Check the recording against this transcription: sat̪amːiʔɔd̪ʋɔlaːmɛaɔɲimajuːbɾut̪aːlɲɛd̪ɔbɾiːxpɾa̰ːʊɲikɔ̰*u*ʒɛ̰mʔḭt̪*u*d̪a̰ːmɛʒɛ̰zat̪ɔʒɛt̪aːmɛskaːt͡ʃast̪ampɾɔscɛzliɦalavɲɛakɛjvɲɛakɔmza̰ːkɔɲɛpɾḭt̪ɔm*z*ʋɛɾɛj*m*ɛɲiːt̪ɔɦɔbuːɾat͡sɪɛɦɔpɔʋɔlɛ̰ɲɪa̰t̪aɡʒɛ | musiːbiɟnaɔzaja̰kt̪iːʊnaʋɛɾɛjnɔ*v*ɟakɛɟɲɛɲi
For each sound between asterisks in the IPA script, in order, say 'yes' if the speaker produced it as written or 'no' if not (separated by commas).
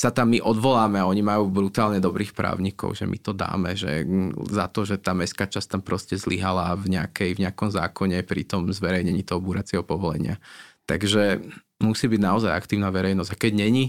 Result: no, no, yes, no, no